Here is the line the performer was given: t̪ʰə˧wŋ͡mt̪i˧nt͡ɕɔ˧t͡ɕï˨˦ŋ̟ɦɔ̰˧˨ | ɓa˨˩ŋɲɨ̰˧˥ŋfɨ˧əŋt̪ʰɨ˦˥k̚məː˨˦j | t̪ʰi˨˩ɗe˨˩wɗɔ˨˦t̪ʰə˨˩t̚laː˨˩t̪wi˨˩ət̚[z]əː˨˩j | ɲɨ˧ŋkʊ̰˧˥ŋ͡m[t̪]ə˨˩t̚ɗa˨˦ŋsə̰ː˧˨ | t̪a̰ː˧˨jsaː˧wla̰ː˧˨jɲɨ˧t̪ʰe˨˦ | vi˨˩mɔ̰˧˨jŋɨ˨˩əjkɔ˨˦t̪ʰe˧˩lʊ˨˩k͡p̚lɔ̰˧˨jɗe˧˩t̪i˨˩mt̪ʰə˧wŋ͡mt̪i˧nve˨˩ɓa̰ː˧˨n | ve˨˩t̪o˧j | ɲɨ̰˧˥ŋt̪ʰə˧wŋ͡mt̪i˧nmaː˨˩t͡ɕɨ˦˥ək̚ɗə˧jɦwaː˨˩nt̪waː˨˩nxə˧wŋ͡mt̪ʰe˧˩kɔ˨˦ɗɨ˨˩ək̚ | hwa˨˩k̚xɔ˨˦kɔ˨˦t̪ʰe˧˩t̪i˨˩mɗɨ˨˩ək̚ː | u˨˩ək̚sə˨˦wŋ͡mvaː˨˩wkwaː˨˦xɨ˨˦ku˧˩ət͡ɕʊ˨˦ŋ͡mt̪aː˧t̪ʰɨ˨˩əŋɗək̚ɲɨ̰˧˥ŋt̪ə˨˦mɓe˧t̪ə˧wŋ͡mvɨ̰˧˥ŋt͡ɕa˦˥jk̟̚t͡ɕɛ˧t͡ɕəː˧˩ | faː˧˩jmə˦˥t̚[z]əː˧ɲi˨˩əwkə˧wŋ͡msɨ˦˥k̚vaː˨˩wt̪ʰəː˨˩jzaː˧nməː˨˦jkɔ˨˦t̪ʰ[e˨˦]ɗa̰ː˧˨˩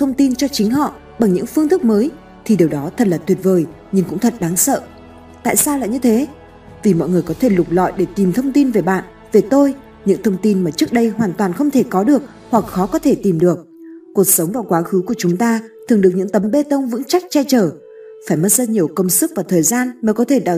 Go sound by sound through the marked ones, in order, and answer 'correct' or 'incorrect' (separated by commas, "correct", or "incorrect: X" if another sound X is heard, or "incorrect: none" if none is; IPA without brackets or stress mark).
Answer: incorrect: v, incorrect: t̪ʰ, correct, incorrect: e˧˩